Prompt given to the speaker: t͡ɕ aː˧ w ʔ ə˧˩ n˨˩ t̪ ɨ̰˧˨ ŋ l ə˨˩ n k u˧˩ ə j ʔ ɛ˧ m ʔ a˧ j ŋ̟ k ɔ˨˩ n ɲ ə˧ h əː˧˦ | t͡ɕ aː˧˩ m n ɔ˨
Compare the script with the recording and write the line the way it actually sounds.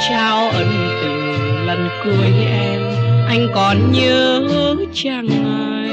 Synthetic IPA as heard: t͡ɕ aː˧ w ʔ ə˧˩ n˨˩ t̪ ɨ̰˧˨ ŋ l ə˨˩ n k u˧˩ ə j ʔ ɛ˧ m ʔ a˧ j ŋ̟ k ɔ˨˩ n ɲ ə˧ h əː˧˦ | t͡ɕ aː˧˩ ŋ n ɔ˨